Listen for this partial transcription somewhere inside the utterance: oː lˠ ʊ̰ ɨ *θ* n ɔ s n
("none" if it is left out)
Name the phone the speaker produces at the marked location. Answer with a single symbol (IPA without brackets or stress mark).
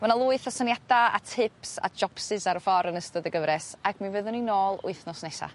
θ